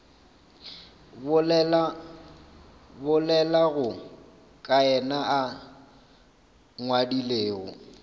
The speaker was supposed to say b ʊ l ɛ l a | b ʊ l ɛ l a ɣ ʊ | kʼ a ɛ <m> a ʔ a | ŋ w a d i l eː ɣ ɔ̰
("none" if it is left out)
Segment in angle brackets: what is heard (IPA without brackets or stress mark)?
n